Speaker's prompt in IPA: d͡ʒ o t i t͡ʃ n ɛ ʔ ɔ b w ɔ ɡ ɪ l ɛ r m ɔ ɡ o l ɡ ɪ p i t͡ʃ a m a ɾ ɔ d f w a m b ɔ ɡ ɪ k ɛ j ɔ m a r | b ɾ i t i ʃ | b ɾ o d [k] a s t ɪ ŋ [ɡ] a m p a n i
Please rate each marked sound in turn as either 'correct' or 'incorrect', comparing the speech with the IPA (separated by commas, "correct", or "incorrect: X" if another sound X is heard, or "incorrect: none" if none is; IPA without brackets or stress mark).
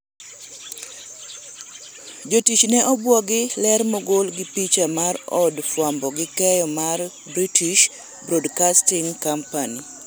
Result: correct, incorrect: k